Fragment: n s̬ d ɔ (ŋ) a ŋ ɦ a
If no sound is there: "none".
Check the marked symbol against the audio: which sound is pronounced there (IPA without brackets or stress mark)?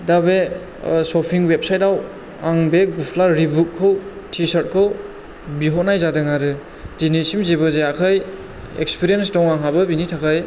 ŋ